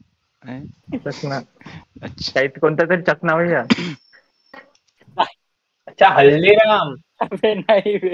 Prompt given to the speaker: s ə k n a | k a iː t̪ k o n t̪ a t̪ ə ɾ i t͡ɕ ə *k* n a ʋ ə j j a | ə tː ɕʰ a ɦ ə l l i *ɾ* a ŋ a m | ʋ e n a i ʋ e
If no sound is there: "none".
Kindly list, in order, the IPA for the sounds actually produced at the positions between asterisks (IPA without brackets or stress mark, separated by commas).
k, ɾ